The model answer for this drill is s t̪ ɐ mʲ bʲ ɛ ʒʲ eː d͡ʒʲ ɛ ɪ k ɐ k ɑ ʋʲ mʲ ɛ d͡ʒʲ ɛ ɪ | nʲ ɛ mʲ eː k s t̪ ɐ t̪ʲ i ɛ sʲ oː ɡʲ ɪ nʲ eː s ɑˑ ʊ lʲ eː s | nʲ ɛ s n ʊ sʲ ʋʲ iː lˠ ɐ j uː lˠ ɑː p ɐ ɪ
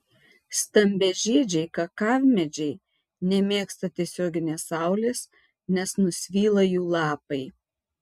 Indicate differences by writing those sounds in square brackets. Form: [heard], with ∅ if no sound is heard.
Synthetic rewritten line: s t̪ ɐ mʲ bʲ ɛ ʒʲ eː d͡ʒʲ ɛ ɪ k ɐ k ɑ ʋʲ mʲ ɛ d͡ʒʲ ɛ ɪ | nʲ ɛ mʲ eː k s t̪ ɐ t̪ʲ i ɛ sʲ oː ɡʲ ɪ nʲ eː s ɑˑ ʊ lʲ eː s | nʲ ɛ s n ʊ sʲ ʋʲ iː lˠ ɐ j uː lˠ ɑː p ɐ ɪ